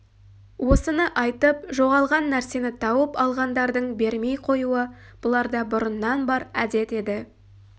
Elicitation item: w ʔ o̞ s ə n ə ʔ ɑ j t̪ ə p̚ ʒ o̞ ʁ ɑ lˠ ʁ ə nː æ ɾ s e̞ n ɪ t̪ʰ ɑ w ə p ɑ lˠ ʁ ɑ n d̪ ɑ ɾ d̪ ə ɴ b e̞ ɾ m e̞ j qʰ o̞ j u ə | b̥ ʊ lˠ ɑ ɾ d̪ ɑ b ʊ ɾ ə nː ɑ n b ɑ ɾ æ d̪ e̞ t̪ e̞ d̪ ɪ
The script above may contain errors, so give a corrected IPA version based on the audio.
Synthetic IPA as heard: w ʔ o̞ s ə n ə ʔ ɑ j t̪ ə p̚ ʒ o̞ ʁ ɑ lˠ ʁ ɑ nː æ ɾ s e̞ n ɪ t̪ʰ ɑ w ə p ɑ lˠ ʁ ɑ n d̪ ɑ ɾ d̪ ə ɴ b e̞ ɾ m e̞ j qʰ o̞ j u ə | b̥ ʊ lˠ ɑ ɾ d̪ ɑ b ʊ ɾ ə nː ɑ n b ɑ ɾ æ d̪ e̞ t̪ e̞ d̪ ɪ